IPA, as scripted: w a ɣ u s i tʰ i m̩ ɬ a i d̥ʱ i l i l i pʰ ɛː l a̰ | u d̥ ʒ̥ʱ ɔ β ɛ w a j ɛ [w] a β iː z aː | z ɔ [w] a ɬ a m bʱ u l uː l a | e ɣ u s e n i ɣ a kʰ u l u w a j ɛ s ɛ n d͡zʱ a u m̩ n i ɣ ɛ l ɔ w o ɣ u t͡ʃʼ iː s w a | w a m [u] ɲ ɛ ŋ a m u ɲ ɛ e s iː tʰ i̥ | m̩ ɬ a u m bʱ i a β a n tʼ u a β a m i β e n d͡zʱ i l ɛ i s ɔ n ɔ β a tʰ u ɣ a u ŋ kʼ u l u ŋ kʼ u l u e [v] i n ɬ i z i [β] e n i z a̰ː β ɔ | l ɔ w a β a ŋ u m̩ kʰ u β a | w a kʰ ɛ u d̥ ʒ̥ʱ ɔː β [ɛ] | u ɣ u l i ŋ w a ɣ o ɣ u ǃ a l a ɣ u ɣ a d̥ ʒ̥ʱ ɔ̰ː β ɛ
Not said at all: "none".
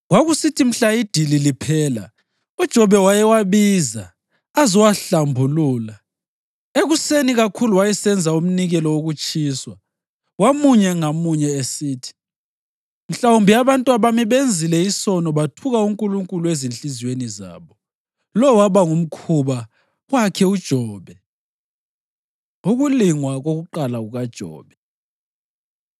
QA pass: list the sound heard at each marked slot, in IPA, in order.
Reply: w, w, u, z, w, ɛ

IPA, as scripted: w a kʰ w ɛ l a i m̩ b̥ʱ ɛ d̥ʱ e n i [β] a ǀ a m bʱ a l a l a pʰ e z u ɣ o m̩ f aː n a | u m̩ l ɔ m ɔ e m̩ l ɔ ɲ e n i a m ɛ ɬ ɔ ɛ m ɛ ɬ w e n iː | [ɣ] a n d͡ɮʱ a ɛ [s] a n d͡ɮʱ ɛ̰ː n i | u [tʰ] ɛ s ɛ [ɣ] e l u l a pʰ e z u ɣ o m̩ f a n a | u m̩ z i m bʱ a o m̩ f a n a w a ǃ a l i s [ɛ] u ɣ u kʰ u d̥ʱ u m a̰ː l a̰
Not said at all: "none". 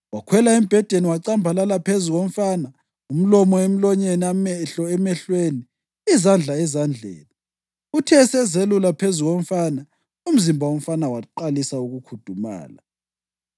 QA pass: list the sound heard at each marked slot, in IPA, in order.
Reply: w, z, z, tʰ, z, a

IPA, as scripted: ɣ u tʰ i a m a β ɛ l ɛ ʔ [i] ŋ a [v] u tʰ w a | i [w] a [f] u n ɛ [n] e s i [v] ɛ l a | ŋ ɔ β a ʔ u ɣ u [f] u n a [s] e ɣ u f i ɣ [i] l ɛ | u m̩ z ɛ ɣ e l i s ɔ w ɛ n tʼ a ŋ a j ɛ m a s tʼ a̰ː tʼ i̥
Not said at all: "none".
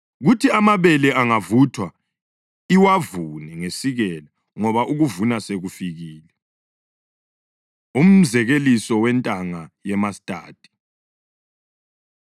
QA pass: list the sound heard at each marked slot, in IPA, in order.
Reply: a, v, w, v, ŋ, ɣ, v, s, iː

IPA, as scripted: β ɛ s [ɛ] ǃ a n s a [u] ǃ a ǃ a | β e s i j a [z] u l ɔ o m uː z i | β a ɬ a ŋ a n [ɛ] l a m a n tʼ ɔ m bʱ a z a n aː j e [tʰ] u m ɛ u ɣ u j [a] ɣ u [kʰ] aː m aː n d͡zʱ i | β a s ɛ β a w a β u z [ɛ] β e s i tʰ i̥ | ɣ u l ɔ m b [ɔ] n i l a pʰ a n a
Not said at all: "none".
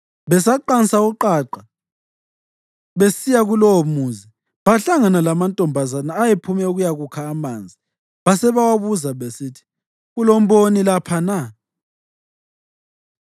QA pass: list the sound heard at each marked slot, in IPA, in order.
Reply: a, u, ɣ, a, pʰ, a, kʰ, a, o

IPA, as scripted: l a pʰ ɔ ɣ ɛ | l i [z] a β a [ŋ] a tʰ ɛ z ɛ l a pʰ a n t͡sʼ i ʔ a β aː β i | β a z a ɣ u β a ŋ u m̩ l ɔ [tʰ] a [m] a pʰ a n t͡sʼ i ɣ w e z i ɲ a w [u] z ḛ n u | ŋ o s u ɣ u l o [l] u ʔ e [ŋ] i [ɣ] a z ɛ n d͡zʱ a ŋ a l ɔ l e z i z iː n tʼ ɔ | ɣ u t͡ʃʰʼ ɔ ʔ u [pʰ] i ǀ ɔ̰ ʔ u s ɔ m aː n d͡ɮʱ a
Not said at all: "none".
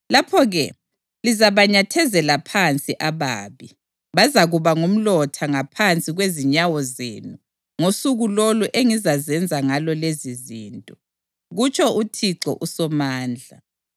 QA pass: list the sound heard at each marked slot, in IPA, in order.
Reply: z, ɲ, tʰ, ŋ, ɔ, l, ŋ, z, tʰ

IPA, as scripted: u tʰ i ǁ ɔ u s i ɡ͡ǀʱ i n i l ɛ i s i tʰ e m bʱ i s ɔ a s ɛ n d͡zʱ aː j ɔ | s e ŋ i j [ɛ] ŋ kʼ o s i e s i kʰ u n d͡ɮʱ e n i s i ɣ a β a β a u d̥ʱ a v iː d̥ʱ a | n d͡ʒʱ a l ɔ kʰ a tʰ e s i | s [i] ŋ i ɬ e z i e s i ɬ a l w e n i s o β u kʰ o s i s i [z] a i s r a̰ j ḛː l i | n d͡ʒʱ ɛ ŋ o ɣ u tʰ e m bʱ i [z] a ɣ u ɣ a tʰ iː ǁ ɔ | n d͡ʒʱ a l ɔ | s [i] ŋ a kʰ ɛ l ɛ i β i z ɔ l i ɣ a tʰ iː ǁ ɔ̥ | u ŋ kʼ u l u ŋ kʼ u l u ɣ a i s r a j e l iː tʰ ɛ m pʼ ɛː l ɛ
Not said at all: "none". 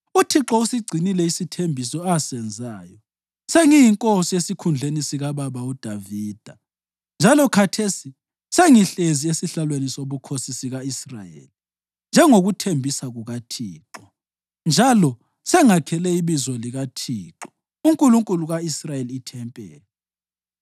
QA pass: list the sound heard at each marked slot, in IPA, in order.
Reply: i, e, ɣ, s, ɛ

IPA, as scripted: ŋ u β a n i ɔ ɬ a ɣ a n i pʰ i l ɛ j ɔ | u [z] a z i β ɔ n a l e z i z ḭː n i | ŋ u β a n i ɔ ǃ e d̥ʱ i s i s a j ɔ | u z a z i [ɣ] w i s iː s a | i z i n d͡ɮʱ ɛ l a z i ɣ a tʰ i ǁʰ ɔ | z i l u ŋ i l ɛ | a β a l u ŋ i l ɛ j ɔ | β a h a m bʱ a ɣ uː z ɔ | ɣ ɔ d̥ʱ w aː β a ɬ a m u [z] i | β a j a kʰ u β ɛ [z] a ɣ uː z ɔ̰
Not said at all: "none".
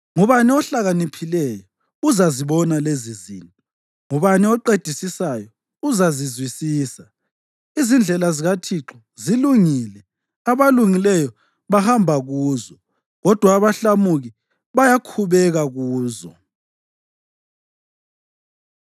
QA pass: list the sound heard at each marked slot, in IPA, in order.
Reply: z, z, ɣ, ɣ

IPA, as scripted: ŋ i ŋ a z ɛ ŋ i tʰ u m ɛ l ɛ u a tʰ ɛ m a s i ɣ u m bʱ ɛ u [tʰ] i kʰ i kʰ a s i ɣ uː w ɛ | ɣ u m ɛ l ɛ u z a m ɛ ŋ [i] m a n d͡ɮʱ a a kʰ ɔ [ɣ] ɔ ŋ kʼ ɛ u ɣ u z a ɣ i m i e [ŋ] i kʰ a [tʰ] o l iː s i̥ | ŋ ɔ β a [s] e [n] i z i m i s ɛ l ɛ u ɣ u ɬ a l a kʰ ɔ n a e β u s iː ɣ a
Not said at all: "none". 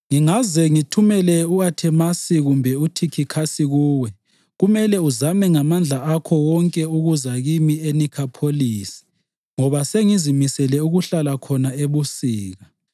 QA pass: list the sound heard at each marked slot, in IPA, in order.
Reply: tʰ, a, w, n, pʰ, s, ŋ

